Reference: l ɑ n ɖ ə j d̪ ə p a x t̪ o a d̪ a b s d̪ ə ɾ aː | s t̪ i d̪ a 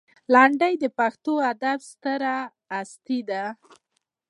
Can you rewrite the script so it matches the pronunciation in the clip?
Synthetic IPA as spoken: l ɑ ɳ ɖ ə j d̪ ə p a x t̪ o a d̪ a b s t̪ ə ɾ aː | s t̪ i d̪ a